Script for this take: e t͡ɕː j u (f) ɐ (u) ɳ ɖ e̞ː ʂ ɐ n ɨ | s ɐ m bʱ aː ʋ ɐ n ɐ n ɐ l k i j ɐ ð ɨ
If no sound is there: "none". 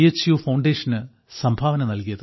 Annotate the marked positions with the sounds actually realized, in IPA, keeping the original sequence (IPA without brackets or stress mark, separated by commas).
f, w